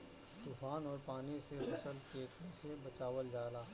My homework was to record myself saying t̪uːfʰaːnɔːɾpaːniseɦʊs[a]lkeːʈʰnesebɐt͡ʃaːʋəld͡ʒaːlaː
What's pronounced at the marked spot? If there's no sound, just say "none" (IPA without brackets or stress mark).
ə